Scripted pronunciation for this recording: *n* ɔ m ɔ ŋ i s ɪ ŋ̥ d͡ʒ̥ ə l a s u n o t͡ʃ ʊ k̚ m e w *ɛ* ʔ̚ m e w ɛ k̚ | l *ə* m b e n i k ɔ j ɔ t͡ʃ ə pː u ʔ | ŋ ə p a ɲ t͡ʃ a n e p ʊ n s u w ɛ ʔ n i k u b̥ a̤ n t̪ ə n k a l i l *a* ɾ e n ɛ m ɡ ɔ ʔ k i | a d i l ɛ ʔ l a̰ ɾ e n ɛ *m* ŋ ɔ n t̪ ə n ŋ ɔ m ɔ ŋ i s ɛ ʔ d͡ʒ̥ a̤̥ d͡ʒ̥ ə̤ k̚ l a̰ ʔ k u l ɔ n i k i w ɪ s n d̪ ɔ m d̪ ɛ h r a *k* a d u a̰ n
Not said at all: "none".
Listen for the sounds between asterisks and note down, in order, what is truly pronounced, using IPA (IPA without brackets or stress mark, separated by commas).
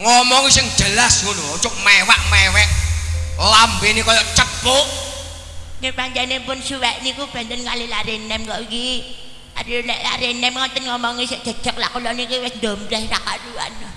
ŋ, a, a, a, m, k